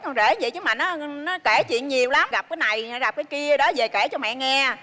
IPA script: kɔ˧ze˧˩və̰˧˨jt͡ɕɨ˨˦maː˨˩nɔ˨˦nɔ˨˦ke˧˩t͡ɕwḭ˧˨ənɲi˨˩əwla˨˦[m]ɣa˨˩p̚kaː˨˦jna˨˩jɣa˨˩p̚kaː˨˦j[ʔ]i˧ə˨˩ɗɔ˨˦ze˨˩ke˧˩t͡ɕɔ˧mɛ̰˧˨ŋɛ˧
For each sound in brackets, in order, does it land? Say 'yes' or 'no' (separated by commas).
yes, no